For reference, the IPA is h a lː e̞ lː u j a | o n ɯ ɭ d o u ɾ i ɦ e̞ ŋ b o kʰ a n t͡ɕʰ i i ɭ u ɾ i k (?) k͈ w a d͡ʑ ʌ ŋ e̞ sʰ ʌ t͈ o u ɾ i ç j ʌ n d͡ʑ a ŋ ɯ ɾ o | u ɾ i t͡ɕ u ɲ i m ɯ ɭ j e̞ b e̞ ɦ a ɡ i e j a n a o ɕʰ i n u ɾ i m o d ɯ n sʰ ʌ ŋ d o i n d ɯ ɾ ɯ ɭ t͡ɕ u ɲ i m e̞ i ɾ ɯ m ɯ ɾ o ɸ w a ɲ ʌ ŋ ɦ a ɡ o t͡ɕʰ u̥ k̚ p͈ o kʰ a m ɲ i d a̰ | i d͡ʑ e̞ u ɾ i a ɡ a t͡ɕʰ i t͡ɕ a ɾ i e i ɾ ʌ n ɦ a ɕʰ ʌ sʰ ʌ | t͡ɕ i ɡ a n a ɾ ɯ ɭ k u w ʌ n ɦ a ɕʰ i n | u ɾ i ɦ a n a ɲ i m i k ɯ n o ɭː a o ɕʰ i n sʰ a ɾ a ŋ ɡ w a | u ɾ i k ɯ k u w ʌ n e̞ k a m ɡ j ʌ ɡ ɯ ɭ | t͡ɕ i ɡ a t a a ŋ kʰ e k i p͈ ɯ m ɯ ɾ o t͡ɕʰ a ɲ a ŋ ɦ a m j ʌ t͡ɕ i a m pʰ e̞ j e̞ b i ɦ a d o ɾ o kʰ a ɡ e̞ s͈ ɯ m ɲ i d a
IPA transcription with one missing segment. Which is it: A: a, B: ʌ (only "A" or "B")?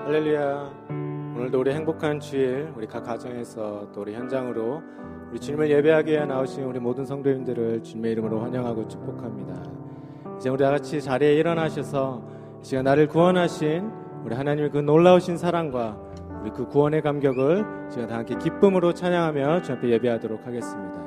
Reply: A